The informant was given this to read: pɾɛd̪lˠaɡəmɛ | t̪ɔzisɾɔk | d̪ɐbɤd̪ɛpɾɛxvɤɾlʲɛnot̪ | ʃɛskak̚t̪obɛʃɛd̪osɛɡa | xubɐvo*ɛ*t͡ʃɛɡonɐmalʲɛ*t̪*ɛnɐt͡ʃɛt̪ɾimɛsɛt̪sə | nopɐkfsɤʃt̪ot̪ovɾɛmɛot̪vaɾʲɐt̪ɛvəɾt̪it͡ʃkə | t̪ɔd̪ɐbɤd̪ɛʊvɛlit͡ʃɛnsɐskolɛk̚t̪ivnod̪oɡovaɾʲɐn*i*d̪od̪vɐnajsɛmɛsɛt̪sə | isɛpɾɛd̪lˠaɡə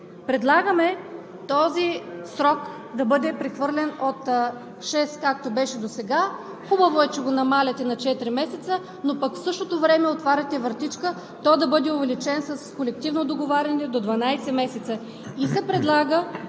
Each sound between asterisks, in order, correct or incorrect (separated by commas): correct, correct, incorrect